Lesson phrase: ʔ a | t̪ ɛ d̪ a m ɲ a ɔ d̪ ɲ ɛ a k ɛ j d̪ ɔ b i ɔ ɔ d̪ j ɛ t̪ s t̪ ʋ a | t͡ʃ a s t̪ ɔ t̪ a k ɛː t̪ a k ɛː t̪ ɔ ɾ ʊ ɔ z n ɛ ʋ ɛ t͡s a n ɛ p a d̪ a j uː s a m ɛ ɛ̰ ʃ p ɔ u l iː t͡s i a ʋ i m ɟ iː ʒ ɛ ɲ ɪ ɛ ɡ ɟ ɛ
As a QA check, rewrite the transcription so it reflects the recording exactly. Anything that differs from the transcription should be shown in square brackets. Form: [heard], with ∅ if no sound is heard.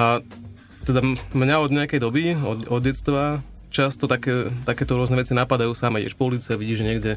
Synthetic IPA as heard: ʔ a | t̪ ɛ d̪ a m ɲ a ɔ d̪ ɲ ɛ a k ɛ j d̪ ɔ b i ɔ ɔ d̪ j ɛ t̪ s t̪ ʋ a | t͡ʃ a s t̪ ɔ t̪ a k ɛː t̪ a k ɛː t̪ ɔ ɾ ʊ ɔ z n ɛ ʋ ɛ t͡s [i] n [a] p a d̪ a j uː s a m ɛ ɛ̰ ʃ p ɔ u l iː t͡s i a ʋ i [∅] ɟ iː ʒ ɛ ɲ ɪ ɛ ɡ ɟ ɛ